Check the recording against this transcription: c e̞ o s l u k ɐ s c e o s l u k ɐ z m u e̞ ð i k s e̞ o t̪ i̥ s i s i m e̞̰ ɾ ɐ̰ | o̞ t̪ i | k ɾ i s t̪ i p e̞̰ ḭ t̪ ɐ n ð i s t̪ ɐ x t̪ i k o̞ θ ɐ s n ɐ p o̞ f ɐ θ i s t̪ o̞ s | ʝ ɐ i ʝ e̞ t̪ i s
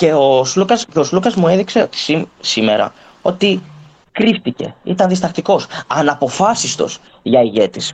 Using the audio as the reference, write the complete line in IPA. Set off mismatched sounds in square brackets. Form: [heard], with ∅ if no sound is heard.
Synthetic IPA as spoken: c e̞ o s l u k ɐ s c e o s l u k ɐ z m u e̞ ð i k s e̞ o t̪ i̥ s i s i m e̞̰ ɾ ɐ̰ | o̞ t̪ i | k ɾ i [f] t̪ i [c] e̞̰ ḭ t̪ ɐ n ð i s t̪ ɐ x t̪ i k o̞ [s] ɐ [∅] n ɐ p o̞ f ɐ [s] i s t̪ o̞ s | ʝ ɐ i ʝ e̞ t̪ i s